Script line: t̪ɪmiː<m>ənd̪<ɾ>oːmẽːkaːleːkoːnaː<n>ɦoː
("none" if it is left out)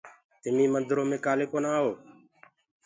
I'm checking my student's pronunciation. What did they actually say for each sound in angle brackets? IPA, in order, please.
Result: m, ɾ, none

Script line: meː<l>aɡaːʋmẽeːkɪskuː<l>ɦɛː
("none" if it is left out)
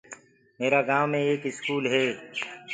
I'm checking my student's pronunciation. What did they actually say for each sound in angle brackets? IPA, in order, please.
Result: ɾ, l

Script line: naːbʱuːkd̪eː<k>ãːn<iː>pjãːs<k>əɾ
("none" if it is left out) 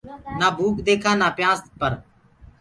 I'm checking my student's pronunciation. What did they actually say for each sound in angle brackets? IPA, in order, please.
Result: kʰ, aː, p

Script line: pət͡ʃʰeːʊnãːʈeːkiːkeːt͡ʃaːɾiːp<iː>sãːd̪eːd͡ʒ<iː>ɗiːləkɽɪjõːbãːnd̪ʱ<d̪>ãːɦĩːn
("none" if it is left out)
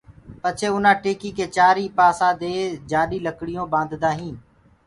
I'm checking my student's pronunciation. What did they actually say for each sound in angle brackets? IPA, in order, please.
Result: aː, aː, d̪

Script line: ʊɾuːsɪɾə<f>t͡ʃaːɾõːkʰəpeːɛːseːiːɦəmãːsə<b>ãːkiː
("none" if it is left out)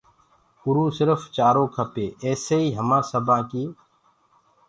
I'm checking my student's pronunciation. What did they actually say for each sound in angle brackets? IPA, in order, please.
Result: f, b

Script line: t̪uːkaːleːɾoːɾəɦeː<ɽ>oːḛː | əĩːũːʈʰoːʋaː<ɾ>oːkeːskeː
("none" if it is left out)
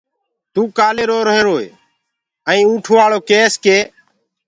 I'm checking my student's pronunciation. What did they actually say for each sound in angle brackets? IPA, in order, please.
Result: ɾ, ɭ

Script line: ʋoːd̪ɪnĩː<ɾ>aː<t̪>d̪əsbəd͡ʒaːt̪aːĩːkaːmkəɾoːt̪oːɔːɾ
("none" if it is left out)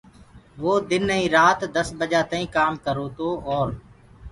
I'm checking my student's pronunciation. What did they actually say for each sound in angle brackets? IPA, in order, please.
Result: ɾ, t̪

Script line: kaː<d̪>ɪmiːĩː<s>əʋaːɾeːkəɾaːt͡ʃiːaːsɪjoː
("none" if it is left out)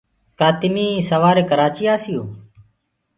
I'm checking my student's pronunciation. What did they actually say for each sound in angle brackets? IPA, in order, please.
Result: t̪, s

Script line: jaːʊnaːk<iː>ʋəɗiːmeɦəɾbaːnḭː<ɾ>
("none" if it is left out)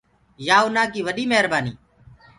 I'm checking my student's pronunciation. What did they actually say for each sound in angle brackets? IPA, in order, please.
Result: iː, none

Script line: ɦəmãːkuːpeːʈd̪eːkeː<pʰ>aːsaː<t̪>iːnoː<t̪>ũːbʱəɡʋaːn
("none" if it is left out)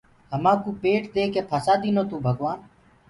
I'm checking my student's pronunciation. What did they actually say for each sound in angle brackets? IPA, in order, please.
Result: pʰ, d̪, t̪

